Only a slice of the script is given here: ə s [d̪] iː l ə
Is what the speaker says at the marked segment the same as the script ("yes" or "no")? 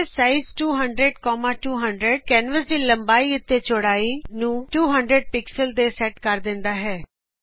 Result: yes